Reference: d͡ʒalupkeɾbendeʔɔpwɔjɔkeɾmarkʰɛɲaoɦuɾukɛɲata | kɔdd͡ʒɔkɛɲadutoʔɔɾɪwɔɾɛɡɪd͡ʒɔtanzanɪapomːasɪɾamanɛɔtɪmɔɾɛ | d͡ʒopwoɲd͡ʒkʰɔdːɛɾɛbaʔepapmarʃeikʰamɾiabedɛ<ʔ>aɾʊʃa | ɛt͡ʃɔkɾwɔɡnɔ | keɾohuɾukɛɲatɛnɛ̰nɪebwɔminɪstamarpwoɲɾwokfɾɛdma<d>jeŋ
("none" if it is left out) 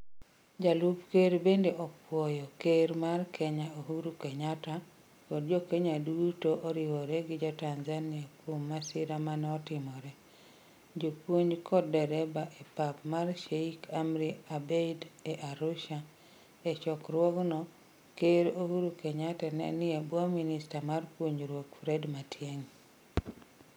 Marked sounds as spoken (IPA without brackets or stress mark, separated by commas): ʔ, t